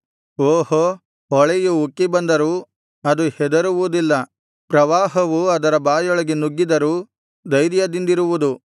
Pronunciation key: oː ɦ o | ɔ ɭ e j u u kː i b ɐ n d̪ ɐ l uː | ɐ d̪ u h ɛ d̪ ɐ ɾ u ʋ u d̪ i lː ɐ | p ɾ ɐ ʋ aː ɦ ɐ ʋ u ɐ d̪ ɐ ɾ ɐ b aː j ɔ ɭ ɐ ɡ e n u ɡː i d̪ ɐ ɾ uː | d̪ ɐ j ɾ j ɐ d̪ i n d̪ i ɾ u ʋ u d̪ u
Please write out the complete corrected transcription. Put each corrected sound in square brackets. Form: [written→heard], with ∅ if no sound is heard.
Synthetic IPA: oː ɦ o | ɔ ɭ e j u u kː i b ɐ n d̪ ɐ [l→ɾ] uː | ɐ d̪ u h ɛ d̪ ɐ ɾ u ʋ u d̪ i lː ɐ | p ɾ ɐ ʋ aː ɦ ɐ ʋ u ɐ d̪ ɐ ɾ ɐ b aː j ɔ ɭ ɐ ɡ e n u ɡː i d̪ ɐ ɾ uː | d̪ ɐ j ɾ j ɐ d̪ i n d̪ i ɾ u ʋ u d̪ u